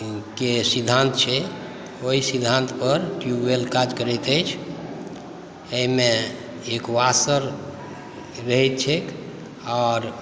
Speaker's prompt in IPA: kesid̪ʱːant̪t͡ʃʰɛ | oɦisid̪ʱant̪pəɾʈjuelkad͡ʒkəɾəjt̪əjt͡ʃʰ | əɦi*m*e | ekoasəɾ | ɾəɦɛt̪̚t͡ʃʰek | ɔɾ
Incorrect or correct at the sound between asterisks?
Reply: correct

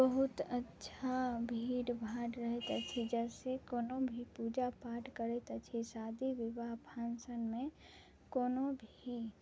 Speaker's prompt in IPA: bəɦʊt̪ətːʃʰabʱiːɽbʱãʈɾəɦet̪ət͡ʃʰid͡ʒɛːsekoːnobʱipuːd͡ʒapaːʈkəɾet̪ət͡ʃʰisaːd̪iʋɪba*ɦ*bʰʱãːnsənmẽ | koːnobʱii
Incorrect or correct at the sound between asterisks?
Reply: correct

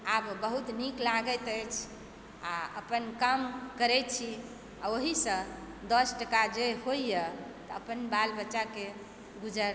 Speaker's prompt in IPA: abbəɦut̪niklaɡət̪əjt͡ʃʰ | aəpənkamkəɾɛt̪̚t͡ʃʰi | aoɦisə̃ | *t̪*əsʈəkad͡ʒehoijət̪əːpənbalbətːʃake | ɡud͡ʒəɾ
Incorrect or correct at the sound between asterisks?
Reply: incorrect: d̪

